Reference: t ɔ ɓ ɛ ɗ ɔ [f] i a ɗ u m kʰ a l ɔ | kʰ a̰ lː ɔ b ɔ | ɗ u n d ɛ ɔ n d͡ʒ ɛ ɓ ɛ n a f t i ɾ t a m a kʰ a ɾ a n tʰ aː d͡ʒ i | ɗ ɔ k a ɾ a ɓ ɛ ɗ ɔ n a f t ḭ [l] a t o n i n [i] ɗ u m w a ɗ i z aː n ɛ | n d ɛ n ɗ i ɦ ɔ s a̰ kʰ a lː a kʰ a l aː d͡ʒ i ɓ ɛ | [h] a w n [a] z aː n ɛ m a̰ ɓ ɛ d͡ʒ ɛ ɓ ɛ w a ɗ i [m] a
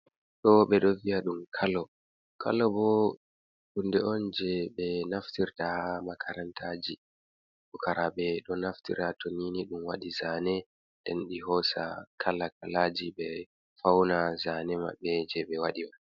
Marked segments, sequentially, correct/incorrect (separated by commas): incorrect, incorrect, correct, incorrect, correct, correct